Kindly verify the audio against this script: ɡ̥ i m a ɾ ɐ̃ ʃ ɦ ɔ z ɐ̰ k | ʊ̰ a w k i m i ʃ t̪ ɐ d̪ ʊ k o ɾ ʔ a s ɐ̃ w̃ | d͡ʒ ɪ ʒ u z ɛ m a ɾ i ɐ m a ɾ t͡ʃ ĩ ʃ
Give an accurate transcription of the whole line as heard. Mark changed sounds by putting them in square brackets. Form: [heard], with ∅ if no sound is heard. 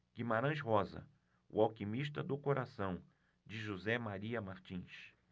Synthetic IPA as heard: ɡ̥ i m a ɾ ɐ̃ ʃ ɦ ɔ z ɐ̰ [∅] | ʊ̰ a w k i m i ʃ t̪ ɐ d̪ ʊ k o ɾ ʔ a s ɐ̃ w̃ | d͡ʒ ɪ ʒ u z ɛ m a ɾ i ɐ m a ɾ t͡ʃ ĩ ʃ